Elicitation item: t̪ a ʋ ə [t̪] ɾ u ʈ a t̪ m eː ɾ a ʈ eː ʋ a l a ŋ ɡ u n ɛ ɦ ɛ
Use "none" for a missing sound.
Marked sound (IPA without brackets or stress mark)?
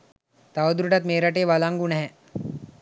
d̪